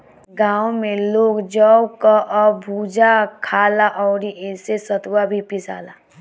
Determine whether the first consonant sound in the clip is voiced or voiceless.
voiced